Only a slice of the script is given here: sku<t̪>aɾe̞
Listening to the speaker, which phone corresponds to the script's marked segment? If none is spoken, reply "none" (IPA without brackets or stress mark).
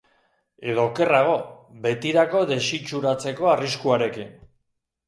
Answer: none